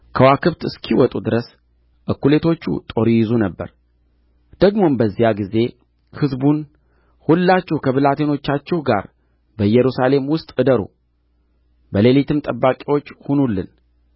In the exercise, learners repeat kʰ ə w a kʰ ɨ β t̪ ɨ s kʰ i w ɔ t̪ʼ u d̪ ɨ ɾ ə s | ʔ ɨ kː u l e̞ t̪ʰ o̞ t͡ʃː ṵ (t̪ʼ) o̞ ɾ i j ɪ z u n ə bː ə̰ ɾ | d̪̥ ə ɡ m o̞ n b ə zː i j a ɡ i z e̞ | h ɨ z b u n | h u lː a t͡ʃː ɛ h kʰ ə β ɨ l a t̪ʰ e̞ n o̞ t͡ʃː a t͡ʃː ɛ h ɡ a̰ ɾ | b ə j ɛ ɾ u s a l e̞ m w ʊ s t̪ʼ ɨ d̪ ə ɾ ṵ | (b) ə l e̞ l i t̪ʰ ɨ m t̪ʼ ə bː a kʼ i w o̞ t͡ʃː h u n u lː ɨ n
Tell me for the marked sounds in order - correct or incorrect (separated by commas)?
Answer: correct, correct